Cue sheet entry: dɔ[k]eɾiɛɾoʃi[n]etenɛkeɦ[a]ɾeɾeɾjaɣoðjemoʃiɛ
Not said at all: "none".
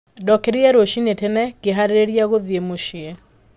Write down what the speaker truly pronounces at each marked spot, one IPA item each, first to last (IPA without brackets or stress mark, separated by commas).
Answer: k, n, a